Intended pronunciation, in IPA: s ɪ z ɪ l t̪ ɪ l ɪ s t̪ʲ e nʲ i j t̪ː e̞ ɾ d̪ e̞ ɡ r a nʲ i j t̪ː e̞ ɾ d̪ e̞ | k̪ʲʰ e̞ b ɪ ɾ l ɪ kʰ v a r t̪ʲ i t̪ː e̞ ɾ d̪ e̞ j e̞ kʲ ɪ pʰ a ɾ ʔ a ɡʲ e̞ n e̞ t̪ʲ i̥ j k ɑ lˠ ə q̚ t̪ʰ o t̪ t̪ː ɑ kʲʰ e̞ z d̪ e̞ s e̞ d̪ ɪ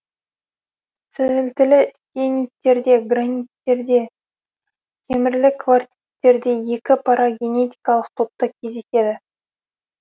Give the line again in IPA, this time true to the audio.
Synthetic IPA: s ɪ z ɪ l t̪ ɪ l ɪ s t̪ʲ e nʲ i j t̪ː e̞ ɾ d̪ e̞ ɡ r a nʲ i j t̪ː e̞ ɾ d̪ e̞ | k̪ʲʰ e̞ m ɪ ɾ l ɪ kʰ v a r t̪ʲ i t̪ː e̞ ɾ d̪ e̞ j e̞ kʲ ɪ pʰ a ɾ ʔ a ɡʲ e̞ n e̞ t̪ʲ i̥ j k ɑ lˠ ə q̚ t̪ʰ o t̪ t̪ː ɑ kʲʰ e̞ z d̪ e̞ s e̞ d̪ ɪ

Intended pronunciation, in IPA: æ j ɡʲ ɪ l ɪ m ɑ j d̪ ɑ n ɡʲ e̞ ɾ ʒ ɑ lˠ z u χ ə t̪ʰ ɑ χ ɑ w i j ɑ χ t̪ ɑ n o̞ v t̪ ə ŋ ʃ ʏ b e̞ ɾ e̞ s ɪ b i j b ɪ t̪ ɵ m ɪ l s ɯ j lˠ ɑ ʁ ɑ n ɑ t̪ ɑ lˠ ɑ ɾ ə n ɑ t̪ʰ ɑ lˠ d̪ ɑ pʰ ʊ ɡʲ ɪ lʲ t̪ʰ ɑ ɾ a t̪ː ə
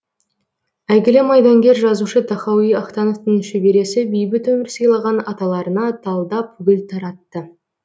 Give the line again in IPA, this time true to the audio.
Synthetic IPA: æ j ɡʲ ɪ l ɪ m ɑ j d̪ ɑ ŋ ɡʲ e̞ ɾ ʒ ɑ z u ʃ ə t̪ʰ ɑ χ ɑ w i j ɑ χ t̪ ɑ n o̞ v t̪ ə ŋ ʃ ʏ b e̞ ɾ e̞ s ɪ b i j b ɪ t̪ ɵ m ɪ ɾ s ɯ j lˠ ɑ ʁ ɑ n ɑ t̪ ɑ lˠ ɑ ɾ ə n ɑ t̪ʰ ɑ lˠ d̪ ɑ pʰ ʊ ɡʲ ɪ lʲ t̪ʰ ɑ ɾ ɑ t̪ː ə

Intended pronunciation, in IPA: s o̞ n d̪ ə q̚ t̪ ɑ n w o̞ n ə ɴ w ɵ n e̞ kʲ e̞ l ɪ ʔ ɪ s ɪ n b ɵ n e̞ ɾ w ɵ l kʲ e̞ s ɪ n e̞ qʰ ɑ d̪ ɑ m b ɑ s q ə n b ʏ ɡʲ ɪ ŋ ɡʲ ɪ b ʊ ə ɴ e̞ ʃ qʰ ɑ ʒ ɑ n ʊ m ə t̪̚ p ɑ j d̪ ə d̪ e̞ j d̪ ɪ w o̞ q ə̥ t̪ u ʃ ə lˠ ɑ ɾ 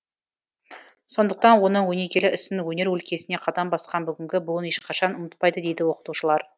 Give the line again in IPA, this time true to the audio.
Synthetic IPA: s o̞ n d̪ ə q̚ t̪ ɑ n w o̞ n ə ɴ w ɵ n e̞ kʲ e̞ l ɪ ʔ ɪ s ɪ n w ɵ n e̞ ɾ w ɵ l kʲ e̞ s ɪ n e̞ qʰ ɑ d̪ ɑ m b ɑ s q ɑ n b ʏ ɡʲ ɪ ŋ ɡʲ ɪ b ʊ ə n e̞ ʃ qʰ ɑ ʃ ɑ n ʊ m ə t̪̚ p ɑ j d̪ ə d̪ e̞ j d̪ ɪ w o̞ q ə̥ t̪ u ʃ ə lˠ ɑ ɾ

